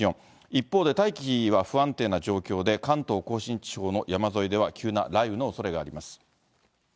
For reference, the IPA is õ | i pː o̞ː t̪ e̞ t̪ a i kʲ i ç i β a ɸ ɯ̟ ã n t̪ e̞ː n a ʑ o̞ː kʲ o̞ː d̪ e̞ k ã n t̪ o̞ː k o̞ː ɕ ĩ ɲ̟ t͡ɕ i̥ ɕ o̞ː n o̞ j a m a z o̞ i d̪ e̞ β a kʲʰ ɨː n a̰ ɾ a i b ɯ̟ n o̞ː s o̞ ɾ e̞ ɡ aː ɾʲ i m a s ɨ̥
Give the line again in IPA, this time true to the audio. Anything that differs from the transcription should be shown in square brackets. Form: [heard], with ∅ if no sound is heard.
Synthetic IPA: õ | i pː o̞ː [d̪] e̞ t̪ a i kʲ i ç i β a ɸ ɯ̟ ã n t̪ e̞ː n a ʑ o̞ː kʲ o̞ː d̪ e̞ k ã n t̪ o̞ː k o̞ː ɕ ĩ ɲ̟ t͡ɕ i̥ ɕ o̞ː n o̞ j a m a z o̞ i d̪ e̞ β a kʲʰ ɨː n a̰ ɾ a i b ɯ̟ n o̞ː s o̞ ɾ e̞ ɡ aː ɾʲ i m a s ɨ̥

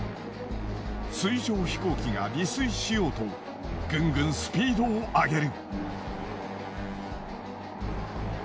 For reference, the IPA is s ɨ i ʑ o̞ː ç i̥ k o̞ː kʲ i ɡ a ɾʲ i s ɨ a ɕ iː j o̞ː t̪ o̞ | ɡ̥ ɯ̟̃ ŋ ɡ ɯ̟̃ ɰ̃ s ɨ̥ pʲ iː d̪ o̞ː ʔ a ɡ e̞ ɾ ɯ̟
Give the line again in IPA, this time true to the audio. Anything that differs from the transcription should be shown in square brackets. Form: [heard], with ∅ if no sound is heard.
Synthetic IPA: s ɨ i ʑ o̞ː ç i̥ k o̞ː kʲ i ɡ a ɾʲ i s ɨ [i] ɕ [i] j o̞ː t̪ o̞ | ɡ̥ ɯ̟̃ ŋ ɡ ɯ̟̃ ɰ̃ s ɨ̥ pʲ iː d̪ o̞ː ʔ a ɡ e̞ ɾ ɯ̟

